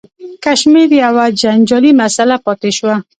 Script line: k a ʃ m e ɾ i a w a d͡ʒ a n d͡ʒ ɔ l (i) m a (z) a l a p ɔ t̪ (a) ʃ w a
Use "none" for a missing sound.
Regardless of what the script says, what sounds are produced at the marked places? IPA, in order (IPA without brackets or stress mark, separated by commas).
i, s, e